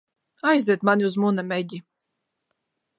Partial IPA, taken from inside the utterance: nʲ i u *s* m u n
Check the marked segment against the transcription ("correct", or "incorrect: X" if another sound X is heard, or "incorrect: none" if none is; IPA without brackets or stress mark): incorrect: z